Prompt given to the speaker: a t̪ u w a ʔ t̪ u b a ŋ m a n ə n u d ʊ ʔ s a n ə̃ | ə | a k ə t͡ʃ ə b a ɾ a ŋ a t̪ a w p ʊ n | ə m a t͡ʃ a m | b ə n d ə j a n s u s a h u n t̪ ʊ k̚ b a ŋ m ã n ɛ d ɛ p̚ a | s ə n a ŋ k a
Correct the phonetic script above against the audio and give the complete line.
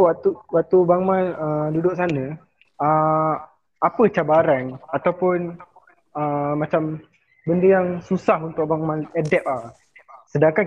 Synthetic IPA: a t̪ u w a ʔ t̪ u b a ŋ m a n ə d u d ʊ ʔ s a n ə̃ | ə | a p ə t͡ʃ a b a ɾ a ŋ a t̪ a w p ʊ n | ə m a t͡ʃ a m | b ə n d ə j a ŋ s u s a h u n t̪ ʊ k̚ b a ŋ m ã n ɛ d ɛ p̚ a | s ə d a ŋ k a